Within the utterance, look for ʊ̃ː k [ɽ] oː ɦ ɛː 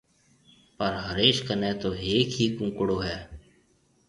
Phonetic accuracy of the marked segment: correct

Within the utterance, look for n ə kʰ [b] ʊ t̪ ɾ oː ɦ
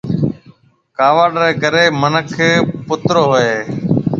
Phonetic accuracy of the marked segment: incorrect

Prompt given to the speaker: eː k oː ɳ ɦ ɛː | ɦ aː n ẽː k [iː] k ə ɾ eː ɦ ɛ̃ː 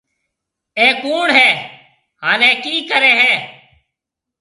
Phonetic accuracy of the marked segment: correct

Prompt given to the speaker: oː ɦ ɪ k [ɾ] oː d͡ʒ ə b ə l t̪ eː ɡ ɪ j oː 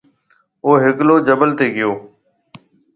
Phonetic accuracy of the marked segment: incorrect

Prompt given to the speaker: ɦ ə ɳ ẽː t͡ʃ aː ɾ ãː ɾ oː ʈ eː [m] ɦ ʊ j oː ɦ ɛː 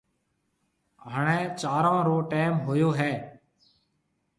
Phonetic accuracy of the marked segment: correct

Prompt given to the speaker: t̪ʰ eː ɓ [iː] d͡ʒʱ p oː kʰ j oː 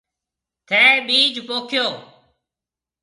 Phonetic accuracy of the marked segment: correct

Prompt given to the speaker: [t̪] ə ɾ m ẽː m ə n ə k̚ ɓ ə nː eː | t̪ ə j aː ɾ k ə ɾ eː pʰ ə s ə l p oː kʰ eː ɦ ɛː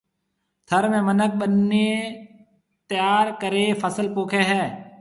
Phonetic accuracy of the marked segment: incorrect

